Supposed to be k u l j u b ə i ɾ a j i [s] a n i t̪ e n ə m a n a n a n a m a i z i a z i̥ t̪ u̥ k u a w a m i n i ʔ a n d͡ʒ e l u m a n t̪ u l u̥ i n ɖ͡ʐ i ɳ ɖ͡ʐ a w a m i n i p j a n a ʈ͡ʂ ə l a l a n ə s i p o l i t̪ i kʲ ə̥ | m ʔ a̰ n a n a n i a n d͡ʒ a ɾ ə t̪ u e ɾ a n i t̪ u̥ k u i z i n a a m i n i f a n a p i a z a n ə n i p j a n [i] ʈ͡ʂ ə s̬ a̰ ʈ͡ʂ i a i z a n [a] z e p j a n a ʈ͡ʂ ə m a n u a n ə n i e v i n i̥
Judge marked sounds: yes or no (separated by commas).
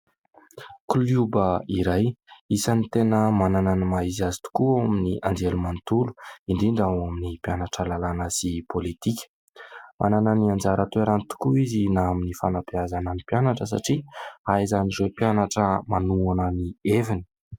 yes, no, no